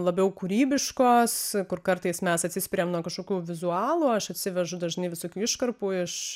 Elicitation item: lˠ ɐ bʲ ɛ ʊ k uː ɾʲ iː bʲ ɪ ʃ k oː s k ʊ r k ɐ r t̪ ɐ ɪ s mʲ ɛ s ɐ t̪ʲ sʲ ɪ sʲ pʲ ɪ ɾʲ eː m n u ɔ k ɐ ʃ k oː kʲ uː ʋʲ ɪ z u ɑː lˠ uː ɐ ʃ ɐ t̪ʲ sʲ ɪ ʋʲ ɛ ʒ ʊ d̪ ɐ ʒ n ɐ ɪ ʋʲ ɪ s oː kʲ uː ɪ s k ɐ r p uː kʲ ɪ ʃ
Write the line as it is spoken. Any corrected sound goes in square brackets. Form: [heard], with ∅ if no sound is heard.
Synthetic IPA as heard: lˠ ɐ bʲ ɛ ʊ k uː ɾʲ iː bʲ ɪ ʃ k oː s k ʊ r k ɐ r t̪ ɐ ɪ s mʲ ɛ s ɐ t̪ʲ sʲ ɪ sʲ pʲ ɪ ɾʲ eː m n u ɔ k ɐ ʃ k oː kʲ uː ʋʲ ɪ z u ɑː lˠ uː ɐ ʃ ɐ t̪ʲ sʲ ɪ ʋʲ ɛ ʒ ʊ d̪ ɐ ʒ n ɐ ɪ ʋʲ ɪ s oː kʲ uː ɪ [ʃ] k ɐ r p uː [∅] ɪ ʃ